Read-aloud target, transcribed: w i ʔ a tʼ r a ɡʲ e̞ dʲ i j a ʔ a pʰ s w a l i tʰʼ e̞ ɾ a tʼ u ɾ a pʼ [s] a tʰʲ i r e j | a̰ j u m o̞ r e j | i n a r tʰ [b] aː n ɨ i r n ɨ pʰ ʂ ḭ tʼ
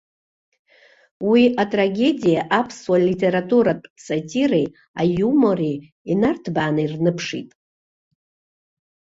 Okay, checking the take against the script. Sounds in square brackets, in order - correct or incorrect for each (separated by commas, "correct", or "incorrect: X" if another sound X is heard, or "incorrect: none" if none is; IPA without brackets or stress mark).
correct, correct